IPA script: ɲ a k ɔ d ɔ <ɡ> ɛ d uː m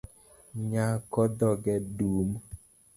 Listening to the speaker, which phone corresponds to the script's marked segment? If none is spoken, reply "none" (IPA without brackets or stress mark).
ɡ